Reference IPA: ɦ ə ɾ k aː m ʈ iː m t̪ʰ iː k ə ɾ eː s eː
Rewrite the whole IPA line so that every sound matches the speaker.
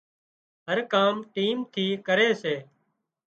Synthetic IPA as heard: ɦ ə ɾ k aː m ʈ iː m t̪ʰ iː k ə ɾ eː s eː